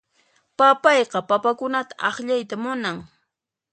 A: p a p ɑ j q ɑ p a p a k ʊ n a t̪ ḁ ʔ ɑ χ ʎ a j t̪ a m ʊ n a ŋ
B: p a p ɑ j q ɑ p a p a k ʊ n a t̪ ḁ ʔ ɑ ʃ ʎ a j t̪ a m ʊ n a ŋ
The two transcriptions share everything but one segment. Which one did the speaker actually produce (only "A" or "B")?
A